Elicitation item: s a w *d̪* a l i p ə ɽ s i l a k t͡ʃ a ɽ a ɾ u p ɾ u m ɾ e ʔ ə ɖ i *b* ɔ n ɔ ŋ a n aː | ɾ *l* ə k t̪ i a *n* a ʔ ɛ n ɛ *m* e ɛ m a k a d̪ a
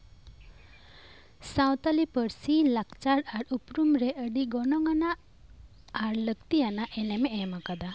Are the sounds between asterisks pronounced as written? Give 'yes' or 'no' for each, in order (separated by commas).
no, no, yes, yes, yes